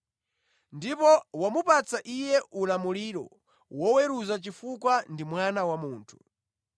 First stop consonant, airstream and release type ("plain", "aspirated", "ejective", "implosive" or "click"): plain